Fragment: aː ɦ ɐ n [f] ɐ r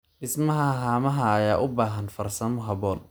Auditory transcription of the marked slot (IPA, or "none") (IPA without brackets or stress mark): f